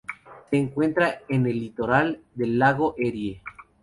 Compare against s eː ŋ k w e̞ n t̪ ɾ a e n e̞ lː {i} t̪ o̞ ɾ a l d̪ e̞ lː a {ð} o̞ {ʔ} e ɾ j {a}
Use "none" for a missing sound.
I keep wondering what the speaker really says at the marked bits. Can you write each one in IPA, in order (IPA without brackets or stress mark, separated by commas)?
i, ɣ, ʔ, e